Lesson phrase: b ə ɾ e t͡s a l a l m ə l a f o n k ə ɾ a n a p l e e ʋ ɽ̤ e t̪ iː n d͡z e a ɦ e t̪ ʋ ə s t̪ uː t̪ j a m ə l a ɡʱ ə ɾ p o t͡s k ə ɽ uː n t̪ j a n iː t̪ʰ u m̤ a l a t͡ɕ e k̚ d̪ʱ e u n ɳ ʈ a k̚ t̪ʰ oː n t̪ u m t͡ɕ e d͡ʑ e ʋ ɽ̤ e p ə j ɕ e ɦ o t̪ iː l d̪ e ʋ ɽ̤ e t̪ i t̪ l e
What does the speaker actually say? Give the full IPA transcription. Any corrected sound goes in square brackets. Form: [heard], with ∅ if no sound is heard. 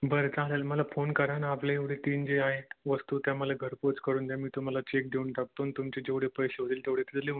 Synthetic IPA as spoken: b ə ɾ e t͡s a l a l m ə l a f o n k ə ɾ a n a p l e e ʋ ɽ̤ e t̪ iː n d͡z e a ɦ e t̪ ʋ ə s t̪ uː t̪ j a m ə l a ɡʱ ə ɾ p o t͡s k ə [ɾ] uː n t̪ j a [m] iː [t̪] u m̤ a l a t͡ɕ e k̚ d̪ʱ e u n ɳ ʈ a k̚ [t̪] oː n t̪ u m t͡ɕ e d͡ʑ e ʋ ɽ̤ e p ə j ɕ e ɦ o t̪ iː l [t̪] e ʋ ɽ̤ e t̪ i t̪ l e